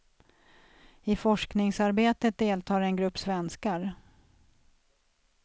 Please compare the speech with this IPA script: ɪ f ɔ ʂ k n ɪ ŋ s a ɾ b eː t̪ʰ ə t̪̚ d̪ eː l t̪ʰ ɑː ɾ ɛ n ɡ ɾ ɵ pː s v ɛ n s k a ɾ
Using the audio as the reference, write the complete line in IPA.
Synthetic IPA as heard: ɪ f ɔ ʂ k n ɪ ŋ s a ɾ b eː t̪ ə t̪̚ d̪ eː l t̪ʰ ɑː ɾ ɛ n ɡ ɾ ɵ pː s v ɛ n s k a ɾ